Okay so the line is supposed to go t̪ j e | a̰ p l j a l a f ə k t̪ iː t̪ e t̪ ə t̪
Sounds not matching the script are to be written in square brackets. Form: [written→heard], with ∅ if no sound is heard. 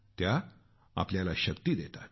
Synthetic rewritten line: t̪ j [e→a] | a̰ p l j a l a [f→ɕ] ə k t̪ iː [t̪→d̪] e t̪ [ə→a] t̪